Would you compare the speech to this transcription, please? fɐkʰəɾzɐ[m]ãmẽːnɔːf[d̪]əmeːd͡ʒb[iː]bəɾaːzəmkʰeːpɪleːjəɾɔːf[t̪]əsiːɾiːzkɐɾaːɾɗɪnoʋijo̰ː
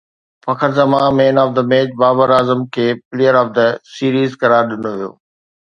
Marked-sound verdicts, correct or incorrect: correct, correct, incorrect, incorrect

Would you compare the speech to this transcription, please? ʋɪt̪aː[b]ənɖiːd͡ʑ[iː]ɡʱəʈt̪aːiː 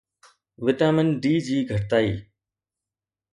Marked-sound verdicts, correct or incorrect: incorrect, correct

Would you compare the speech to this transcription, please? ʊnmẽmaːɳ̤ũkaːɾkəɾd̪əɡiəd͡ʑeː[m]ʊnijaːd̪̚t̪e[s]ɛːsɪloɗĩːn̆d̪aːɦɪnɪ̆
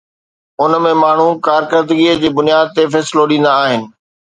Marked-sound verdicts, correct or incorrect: incorrect, incorrect

